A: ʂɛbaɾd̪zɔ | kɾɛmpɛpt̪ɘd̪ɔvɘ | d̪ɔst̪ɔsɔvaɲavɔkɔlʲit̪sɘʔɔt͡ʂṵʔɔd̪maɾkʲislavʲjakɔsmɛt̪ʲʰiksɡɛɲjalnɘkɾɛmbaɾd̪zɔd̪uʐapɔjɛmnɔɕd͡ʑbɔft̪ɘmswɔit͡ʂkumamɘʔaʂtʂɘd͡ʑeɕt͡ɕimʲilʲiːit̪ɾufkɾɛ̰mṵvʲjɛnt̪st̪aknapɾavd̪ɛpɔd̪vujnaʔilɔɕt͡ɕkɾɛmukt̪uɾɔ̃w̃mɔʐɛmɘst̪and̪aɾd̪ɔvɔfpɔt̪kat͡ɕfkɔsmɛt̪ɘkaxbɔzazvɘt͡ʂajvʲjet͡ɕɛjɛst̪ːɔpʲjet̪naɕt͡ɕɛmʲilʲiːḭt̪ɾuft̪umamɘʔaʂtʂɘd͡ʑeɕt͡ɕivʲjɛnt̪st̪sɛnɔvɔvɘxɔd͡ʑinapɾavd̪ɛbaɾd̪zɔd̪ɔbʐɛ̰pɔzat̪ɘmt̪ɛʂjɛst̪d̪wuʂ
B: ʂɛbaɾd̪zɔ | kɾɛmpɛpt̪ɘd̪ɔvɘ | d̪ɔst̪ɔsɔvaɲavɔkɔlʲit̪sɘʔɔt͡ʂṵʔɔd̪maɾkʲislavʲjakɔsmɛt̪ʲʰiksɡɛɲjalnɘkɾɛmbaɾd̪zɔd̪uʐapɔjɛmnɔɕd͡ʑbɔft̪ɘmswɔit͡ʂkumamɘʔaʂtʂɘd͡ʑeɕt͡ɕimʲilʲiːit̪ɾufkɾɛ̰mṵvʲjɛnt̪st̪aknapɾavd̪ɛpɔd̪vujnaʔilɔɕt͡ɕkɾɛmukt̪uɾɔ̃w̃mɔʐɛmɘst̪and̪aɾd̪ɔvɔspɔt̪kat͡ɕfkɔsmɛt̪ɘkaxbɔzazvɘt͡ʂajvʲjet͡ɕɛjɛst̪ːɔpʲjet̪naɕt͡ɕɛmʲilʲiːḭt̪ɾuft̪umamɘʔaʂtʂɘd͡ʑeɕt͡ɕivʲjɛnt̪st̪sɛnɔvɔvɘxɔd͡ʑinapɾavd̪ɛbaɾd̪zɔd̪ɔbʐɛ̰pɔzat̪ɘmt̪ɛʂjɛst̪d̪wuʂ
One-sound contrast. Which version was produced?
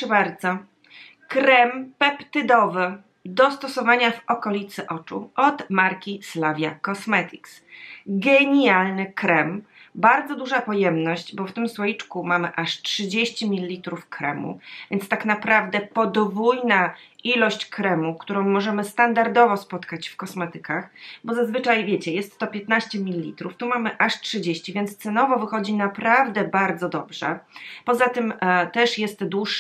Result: B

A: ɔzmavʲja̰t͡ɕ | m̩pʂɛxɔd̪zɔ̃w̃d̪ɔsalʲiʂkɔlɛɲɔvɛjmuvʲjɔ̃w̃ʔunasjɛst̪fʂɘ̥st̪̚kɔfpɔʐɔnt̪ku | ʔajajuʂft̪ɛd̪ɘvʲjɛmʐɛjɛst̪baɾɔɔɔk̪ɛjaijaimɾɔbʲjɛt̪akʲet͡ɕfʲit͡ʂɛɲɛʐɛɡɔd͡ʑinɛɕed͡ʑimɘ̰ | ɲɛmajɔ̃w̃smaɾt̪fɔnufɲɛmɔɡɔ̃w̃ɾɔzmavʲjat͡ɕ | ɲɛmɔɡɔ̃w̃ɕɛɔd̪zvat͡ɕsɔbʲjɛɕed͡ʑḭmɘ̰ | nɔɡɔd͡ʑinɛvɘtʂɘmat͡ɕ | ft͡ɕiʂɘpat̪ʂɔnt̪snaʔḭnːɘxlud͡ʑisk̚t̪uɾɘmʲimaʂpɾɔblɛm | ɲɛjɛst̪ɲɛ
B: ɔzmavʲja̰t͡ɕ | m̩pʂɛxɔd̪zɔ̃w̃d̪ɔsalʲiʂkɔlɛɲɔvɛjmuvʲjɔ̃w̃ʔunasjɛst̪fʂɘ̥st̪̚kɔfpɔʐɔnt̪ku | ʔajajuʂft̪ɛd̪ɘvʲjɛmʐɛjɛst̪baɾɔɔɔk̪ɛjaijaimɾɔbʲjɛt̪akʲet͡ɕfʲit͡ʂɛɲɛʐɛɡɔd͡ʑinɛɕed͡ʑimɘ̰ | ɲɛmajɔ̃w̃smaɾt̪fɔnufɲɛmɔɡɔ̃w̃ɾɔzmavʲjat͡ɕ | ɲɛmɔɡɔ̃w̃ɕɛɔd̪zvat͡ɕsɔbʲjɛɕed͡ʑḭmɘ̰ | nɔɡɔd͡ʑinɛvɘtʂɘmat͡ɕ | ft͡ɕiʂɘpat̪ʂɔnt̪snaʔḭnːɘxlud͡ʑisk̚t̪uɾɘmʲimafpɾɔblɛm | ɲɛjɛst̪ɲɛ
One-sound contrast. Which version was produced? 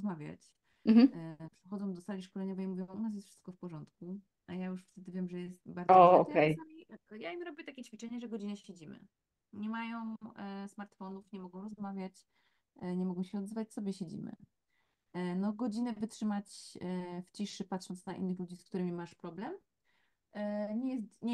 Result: A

